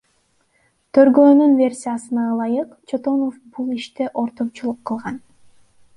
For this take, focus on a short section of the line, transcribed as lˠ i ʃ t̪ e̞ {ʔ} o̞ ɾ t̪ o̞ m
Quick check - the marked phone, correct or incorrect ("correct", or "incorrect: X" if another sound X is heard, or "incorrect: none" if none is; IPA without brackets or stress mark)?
correct